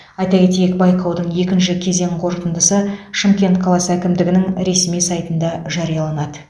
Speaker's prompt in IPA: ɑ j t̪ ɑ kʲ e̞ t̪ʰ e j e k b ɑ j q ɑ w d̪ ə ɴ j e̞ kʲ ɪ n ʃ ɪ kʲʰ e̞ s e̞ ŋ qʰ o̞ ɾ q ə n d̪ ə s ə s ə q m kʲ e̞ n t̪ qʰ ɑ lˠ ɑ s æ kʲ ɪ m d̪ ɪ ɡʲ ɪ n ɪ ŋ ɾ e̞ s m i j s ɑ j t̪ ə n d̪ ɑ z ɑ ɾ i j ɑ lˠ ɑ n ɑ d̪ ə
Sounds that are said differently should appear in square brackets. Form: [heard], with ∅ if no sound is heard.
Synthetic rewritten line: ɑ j t̪ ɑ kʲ e̞ [t̪] e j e k b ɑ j q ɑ w d̪ ə ɴ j e̞ kʲ ɪ n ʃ ɪ kʲʰ e̞ [z] e̞ ŋ qʰ o̞ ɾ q ə n d̪ ə s ə [ʃ] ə [∅] m kʲ e̞ n t̪ qʰ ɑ lˠ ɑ s æ kʲ ɪ m d̪ ɪ ɡʲ ɪ n ɪ ŋ ɾ e̞ s m i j s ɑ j t̪ ə n d̪ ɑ [ʒ] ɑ ɾ i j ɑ lˠ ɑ n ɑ d̪ ə